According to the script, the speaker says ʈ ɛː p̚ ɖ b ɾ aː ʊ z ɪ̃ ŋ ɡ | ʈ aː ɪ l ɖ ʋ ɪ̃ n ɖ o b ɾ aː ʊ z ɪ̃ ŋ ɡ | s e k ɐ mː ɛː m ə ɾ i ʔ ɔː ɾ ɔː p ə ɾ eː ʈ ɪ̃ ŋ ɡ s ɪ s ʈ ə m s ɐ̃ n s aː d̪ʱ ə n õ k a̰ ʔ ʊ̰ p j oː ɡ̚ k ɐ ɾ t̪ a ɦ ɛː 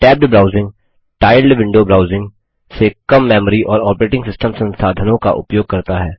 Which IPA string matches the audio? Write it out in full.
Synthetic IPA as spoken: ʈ ɛː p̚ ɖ b ɾ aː ʊ z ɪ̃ ŋ ɡ | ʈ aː ɪ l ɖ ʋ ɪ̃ ɳ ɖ o b ɾ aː ʊ z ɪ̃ ŋ ɡ | s e k ɐ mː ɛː m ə ɾ i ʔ ɔː ɾ ɔː p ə ɾ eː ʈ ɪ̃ ŋ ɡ s ɪ s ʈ ə m s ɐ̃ n s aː d̪ʱ ə n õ k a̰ ʔ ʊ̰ p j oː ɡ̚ k ɐ ɾ t̪ a ɦ ɛː